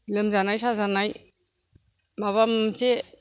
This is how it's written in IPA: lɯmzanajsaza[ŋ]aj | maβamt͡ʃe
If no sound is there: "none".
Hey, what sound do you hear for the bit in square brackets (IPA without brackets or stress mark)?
n